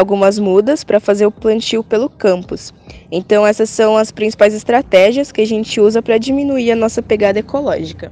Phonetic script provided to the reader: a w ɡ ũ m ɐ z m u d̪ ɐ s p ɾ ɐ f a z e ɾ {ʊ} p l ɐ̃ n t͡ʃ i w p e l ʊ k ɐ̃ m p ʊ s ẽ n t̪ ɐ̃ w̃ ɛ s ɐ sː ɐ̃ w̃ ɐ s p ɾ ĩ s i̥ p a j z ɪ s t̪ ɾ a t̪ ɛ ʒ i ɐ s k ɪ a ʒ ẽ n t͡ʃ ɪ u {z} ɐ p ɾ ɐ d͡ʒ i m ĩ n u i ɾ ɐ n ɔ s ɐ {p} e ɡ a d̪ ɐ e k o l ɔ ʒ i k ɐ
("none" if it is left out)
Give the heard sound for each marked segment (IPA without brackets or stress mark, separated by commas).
ʊ, z, p